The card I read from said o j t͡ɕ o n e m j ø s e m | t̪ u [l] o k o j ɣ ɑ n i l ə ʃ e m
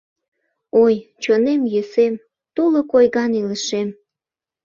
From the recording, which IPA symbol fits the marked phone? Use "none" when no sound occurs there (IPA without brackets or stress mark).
l